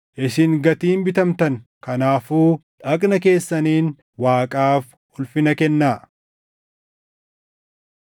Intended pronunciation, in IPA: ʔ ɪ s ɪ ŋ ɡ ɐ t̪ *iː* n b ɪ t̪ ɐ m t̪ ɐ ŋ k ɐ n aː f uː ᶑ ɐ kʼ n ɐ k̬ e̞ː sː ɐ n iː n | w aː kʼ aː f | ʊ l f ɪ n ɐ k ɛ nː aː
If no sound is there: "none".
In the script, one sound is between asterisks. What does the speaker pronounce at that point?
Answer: iː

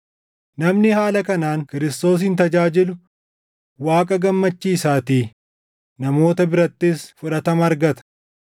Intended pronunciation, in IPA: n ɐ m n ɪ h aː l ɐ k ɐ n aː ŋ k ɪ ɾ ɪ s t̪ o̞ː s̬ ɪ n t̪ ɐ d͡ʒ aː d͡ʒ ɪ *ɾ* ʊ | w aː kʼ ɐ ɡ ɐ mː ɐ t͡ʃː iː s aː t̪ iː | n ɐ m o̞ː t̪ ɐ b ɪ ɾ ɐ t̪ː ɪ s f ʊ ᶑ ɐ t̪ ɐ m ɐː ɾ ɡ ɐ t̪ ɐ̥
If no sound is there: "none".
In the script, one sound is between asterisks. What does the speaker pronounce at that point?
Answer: l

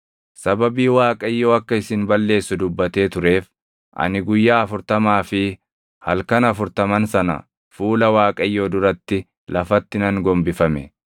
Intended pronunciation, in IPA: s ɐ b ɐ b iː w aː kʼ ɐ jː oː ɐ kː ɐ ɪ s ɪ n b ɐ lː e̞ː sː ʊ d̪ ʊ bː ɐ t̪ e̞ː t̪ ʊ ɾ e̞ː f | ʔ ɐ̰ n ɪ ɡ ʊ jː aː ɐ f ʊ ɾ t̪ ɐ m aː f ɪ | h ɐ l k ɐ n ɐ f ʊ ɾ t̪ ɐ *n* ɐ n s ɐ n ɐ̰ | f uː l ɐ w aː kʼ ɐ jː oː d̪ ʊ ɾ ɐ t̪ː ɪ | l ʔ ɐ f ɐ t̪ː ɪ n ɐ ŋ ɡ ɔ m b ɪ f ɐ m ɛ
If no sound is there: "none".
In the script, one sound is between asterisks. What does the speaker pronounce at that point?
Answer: m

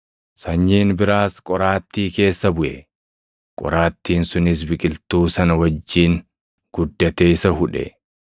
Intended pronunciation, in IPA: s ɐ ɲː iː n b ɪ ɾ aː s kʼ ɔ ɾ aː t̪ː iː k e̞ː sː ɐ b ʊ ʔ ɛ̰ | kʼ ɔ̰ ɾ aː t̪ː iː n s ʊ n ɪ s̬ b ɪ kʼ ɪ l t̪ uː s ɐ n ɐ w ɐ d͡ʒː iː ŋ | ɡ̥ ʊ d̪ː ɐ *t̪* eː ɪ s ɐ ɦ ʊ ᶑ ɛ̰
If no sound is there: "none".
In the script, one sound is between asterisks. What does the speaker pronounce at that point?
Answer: t̪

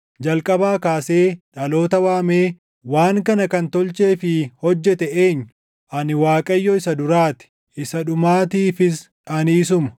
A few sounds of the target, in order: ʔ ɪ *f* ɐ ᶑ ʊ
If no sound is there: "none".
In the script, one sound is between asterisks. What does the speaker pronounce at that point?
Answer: s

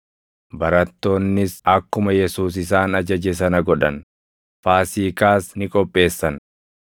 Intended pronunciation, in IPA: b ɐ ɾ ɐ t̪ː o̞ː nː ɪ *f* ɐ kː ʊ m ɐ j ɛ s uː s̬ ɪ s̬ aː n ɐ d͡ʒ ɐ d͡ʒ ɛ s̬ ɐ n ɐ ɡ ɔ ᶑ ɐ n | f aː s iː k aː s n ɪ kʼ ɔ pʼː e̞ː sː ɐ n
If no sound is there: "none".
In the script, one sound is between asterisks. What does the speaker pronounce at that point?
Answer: s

